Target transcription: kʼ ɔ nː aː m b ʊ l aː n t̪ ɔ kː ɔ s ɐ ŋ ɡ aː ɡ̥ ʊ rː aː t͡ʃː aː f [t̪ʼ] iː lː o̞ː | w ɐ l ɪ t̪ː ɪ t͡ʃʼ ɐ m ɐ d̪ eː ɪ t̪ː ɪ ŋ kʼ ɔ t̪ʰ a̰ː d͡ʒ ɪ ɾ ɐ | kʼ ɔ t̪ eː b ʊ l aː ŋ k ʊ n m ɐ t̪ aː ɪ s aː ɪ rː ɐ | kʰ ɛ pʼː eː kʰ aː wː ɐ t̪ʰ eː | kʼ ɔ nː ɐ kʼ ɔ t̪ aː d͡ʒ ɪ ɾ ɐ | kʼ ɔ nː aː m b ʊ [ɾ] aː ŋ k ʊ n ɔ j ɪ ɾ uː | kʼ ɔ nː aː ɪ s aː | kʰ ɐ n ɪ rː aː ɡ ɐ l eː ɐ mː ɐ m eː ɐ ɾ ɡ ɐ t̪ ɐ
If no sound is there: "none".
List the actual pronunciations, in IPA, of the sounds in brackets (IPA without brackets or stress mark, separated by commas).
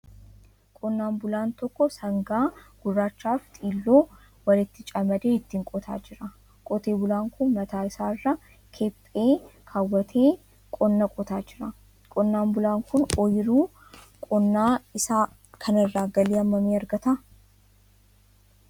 t̪ʼ, l